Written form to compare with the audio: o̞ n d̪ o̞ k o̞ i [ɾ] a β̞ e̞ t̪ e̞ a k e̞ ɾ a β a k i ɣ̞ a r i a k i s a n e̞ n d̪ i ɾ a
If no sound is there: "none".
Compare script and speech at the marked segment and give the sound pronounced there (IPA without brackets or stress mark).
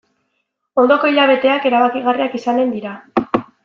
ʎ